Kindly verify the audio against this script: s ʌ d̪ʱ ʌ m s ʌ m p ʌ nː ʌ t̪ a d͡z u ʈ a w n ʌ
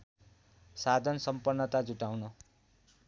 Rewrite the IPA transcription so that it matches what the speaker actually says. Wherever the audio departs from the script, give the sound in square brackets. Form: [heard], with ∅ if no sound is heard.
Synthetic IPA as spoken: s [a] d̪ʱ ʌ [n] s ʌ m p ʌ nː ʌ t̪ a d͡z u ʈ a w n ʌ